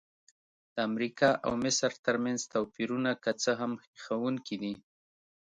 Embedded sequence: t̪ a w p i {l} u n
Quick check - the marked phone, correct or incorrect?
incorrect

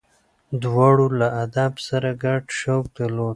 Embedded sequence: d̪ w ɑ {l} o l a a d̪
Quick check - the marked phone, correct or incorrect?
incorrect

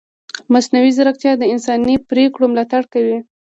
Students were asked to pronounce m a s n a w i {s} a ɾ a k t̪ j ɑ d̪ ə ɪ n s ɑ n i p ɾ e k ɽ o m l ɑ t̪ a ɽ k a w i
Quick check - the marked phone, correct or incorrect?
incorrect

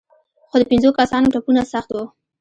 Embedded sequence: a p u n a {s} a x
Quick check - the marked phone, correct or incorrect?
correct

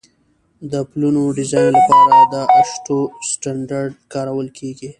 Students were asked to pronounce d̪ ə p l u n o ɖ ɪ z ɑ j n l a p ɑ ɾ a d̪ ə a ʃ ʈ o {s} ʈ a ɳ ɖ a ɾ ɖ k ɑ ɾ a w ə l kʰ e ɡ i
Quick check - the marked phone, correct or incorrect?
correct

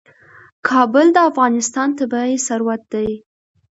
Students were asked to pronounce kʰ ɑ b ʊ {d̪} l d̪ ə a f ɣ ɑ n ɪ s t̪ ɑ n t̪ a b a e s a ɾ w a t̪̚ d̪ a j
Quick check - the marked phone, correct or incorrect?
incorrect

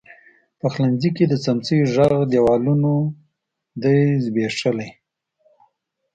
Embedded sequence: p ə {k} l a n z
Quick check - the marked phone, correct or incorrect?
incorrect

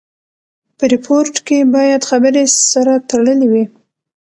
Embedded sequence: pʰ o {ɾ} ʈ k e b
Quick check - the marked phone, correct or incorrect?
correct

